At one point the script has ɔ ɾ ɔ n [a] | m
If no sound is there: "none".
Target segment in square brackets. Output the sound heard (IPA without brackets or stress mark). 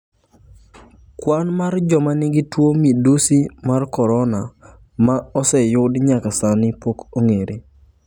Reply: a